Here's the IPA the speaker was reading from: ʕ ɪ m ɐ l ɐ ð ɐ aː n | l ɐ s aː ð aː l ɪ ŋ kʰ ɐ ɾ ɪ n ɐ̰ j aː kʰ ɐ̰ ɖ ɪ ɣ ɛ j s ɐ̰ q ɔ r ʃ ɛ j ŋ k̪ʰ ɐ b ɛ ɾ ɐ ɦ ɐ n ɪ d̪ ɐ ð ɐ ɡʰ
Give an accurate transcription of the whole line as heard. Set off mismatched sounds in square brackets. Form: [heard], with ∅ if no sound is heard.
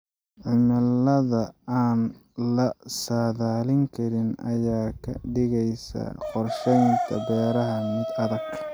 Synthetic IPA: ʕ ɪ m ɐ l ɐ ð ɐ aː n | l ɐ s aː ð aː l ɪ ŋ kʰ ɐ ɾ ɪ n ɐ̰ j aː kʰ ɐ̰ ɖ ɪ ɣ ɛ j s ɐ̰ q ɔ r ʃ ɛ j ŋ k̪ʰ ɐ b [ɛː] ɾ ɐ ɦ ɐ [m] ɪ d̪ ɐ ð ɐ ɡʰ